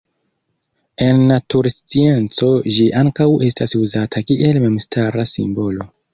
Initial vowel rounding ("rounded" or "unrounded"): unrounded